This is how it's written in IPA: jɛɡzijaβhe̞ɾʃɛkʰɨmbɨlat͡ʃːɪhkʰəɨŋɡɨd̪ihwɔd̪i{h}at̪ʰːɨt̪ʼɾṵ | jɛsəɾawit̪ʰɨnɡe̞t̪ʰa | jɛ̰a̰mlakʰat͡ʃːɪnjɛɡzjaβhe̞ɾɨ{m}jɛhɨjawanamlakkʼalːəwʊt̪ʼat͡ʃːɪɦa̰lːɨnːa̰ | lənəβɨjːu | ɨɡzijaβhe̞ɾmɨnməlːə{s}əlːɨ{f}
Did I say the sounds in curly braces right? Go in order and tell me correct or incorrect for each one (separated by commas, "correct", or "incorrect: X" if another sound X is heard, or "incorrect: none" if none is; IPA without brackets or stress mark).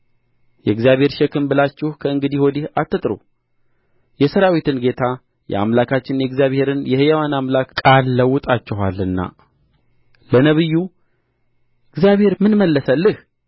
correct, incorrect: n, correct, incorrect: h